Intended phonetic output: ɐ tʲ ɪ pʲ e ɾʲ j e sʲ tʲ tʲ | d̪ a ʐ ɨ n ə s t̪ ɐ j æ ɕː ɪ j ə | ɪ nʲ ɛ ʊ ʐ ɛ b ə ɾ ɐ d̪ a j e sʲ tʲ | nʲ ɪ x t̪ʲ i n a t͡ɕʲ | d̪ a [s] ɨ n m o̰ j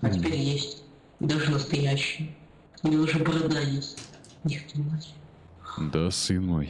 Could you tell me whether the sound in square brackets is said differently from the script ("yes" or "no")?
no